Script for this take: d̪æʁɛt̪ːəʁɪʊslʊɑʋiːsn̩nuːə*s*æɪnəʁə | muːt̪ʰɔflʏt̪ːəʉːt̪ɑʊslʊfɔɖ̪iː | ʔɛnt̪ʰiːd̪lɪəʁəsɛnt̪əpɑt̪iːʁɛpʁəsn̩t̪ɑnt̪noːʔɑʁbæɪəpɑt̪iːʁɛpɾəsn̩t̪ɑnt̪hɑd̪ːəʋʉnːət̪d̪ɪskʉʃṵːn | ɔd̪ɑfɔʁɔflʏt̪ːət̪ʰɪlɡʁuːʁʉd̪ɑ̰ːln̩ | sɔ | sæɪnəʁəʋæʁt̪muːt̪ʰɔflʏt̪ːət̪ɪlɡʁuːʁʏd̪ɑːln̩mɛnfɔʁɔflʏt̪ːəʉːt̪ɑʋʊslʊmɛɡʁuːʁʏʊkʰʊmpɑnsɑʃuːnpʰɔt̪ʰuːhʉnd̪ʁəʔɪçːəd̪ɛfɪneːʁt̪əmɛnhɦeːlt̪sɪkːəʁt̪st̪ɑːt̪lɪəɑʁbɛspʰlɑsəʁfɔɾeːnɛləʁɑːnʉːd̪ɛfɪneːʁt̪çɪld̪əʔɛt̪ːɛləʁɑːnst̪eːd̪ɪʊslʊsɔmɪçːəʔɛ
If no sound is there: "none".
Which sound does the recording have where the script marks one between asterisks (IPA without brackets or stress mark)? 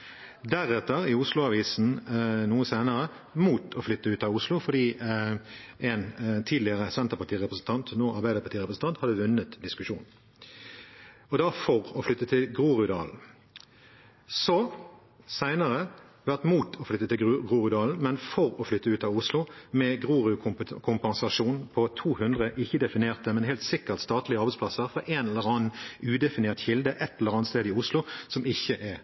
s